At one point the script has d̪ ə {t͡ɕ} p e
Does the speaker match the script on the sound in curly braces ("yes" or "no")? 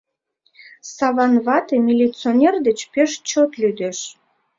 yes